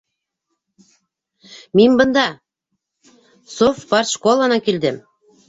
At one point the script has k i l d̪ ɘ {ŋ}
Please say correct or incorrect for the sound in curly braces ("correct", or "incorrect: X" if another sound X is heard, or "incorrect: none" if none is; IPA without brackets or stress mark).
incorrect: m